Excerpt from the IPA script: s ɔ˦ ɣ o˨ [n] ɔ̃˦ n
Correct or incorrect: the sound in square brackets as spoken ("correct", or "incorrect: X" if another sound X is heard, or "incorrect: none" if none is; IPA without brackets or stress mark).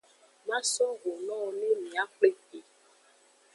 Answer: correct